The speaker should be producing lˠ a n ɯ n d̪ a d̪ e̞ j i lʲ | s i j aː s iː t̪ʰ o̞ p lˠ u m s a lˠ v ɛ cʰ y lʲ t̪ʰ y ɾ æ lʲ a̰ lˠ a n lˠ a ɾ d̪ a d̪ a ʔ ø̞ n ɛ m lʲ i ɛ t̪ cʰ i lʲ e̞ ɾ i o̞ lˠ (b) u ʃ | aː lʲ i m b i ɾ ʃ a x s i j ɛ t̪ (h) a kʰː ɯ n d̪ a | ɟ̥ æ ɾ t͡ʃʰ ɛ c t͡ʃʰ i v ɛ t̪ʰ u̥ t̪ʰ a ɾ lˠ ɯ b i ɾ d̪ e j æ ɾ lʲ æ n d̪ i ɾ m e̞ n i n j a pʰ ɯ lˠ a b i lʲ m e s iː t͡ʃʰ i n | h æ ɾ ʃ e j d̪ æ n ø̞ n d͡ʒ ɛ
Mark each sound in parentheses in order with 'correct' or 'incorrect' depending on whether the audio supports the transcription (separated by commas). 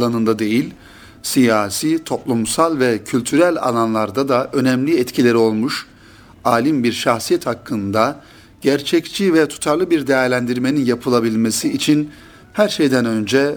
incorrect, correct